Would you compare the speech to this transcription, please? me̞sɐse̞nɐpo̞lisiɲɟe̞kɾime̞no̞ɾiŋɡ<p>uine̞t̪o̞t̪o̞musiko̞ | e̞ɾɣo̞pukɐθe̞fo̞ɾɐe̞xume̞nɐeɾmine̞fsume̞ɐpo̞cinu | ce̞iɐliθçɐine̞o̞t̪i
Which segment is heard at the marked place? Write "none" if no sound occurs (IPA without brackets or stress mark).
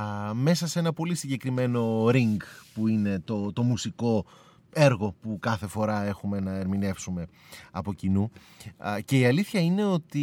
p